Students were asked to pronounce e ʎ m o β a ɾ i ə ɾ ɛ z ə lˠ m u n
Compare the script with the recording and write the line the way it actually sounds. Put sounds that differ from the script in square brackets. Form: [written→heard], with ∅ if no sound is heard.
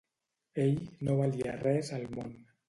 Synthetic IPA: e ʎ [m→n] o β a [ɾ→l] i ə [ɾ→r] ɛ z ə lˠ m [u→o] n